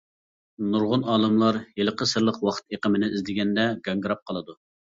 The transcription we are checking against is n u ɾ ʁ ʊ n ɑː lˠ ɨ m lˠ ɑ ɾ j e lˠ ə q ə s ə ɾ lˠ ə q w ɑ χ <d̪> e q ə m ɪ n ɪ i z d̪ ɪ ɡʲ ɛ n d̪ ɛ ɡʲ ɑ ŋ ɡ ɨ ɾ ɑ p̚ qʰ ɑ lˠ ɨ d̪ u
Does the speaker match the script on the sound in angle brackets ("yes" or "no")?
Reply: no